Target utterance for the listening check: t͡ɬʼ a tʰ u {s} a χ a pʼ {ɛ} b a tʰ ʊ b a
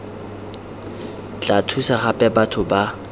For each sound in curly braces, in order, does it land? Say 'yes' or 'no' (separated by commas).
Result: yes, yes